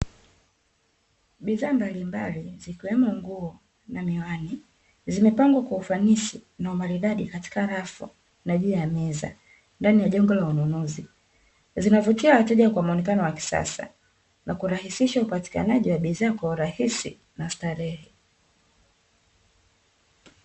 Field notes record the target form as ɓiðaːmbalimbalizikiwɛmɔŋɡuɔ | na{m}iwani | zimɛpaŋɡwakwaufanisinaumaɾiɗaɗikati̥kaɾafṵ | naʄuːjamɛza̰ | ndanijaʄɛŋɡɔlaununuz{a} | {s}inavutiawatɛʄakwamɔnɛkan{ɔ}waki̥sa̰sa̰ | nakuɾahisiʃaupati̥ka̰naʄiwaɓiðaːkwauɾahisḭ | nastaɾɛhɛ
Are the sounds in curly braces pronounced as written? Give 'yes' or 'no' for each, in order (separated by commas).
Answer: yes, no, no, yes